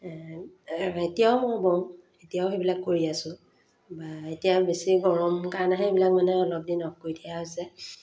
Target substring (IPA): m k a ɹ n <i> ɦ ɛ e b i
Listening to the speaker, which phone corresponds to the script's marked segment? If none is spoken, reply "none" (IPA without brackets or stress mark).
a